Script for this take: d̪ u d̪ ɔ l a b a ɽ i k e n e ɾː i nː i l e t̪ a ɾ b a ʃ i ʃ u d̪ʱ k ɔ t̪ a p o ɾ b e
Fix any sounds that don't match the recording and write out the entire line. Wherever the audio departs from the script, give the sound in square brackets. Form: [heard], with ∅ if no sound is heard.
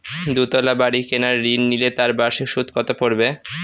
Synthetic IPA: d̪ u [t̪] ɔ l a b a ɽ i k e n [a] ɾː i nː i l e t̪ a ɾ b a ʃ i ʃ u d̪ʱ k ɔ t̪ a p o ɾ b e